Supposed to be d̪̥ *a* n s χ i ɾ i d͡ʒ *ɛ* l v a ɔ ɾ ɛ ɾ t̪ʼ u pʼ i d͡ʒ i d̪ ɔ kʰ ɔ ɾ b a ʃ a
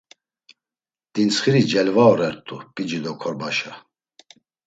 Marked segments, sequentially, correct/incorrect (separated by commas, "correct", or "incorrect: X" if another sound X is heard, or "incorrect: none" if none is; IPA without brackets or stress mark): incorrect: i, correct